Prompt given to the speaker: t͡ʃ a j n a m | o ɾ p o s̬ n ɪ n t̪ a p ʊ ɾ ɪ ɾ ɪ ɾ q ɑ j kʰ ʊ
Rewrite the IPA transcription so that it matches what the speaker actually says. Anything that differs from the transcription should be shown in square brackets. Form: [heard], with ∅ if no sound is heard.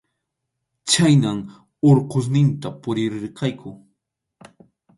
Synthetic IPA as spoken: t͡ʃ a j n a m | o ɾ [q] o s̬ n ɪ n t̪ a p ʊ ɾ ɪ ɾ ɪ ɾ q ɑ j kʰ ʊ